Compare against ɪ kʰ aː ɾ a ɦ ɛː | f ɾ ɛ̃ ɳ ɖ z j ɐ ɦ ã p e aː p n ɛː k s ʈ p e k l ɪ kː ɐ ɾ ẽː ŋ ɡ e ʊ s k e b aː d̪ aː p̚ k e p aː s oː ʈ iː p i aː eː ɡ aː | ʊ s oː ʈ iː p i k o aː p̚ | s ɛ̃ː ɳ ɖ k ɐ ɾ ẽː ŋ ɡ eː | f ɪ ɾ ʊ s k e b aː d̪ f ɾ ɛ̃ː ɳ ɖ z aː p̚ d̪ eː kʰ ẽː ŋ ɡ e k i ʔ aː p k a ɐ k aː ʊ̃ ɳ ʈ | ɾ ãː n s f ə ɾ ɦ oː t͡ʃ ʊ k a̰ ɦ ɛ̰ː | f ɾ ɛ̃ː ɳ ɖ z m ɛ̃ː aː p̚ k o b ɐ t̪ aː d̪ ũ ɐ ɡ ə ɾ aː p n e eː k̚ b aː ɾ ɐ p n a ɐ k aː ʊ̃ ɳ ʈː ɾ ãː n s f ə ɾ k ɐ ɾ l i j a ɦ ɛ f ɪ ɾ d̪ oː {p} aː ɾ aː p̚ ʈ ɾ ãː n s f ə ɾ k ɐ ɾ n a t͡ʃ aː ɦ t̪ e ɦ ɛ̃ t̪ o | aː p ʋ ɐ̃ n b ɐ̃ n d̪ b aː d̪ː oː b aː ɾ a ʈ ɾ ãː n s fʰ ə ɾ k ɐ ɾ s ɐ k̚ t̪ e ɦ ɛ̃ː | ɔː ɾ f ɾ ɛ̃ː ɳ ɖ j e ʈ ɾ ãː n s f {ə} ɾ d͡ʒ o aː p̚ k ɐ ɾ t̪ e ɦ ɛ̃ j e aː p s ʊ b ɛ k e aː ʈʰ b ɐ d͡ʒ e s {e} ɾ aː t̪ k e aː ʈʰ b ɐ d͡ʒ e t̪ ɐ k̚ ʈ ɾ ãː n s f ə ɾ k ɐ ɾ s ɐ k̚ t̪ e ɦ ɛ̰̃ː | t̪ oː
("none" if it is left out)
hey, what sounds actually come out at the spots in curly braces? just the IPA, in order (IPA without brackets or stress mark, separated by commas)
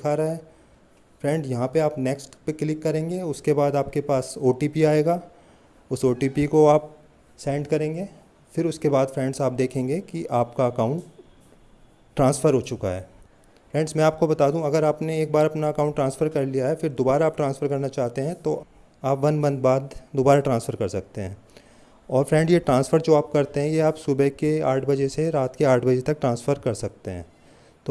b, ə, e